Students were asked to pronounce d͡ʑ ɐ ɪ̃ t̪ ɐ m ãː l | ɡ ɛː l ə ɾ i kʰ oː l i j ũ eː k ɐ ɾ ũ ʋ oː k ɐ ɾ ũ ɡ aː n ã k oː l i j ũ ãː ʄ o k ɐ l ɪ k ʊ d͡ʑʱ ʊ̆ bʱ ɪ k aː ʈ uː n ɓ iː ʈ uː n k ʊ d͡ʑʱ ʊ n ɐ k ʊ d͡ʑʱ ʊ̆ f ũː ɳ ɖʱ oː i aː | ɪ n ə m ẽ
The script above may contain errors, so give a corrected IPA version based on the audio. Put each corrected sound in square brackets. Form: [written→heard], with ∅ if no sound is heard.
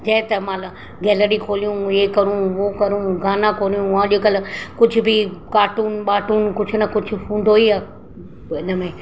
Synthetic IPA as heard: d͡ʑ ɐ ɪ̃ t̪ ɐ m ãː l | ɡ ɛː l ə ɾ i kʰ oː l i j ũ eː k ɐ ɾ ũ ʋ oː k ɐ ɾ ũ ɡ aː n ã k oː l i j ũ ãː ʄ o k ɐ l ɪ k ʊ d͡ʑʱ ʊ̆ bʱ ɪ k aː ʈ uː n ɓ [iː→aː] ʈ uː n k ʊ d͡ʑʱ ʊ n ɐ k ʊ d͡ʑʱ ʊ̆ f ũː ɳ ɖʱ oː i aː | ɪ n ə m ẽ